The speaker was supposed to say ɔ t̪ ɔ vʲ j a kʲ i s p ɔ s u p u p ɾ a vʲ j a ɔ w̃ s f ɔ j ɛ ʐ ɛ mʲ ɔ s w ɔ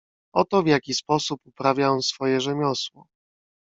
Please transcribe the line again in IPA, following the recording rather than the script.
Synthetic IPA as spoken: ɔ t̪ ɔ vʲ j a kʲ i s p ɔ s u p u p ɾ a vʲ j a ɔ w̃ s f ɔ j ɛ ʐ ɛ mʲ ɔ s w ɔ